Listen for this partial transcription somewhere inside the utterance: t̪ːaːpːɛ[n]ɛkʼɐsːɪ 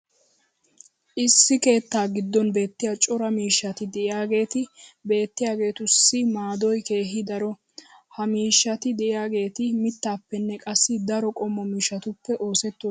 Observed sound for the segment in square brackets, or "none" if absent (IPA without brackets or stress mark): nː